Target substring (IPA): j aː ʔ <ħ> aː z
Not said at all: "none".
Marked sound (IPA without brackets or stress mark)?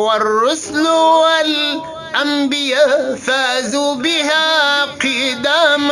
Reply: f